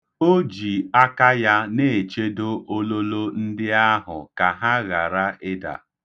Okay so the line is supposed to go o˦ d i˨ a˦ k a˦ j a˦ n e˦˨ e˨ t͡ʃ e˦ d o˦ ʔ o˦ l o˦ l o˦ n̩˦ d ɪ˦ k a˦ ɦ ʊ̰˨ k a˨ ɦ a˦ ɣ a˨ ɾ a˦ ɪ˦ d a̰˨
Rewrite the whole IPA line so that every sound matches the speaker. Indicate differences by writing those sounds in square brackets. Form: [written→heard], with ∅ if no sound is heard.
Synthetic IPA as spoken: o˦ [d→d͡ʒ] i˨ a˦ k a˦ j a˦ n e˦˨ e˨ t͡ʃ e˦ d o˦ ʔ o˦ l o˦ l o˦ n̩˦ d ɪ˦ [k→∅] a˦ ɦ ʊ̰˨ k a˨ ɦ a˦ ɣ a˨ ɾ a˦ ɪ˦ d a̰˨